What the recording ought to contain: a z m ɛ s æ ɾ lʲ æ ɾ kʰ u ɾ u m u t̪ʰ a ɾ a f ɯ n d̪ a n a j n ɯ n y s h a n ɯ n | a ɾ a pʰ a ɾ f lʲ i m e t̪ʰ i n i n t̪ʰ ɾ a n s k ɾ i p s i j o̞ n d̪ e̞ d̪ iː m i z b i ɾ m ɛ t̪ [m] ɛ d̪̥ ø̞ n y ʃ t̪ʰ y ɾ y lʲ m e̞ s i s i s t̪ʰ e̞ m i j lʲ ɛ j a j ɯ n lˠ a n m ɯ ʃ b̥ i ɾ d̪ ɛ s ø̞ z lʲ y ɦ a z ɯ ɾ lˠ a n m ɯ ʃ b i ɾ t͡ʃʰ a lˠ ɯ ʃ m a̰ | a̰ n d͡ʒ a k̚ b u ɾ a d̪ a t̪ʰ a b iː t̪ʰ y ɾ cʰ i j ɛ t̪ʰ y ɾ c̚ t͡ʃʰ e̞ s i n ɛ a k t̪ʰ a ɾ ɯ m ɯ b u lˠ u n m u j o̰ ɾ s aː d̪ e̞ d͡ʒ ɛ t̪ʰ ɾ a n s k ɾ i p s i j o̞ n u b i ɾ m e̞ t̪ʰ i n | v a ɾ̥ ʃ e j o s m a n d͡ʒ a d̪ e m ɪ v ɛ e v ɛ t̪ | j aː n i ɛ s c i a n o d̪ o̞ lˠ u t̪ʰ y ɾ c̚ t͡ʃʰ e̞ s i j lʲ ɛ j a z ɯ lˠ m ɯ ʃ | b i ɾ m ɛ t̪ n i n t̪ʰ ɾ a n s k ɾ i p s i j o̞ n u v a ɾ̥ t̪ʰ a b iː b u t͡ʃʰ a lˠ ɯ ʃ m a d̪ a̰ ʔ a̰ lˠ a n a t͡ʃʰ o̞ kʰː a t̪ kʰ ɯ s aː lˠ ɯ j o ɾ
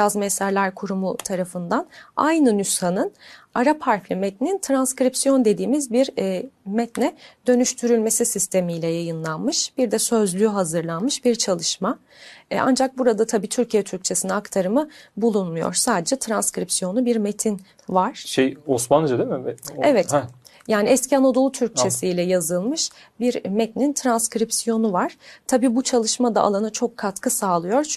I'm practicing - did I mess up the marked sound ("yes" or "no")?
yes